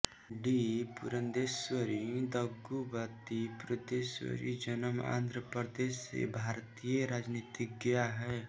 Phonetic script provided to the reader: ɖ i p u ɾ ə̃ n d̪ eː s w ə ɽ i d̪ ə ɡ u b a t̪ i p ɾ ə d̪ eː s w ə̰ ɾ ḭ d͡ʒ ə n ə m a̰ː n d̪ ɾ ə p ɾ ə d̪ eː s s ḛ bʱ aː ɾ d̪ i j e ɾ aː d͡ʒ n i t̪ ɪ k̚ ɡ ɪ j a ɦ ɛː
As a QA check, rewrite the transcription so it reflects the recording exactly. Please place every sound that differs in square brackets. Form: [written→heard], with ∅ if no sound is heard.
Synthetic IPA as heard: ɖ i p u ɾ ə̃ n d̪ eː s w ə [ɽ→ɾ] i d̪ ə ɡ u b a t̪ i p ɾ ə d̪ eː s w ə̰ ɾ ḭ d͡ʒ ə n ə m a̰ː n d̪ ɾ ə p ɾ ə d̪ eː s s ḛ bʱ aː ɾ [d̪→t̪] i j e ɾ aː d͡ʒ n i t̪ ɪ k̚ ɡ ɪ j a ɦ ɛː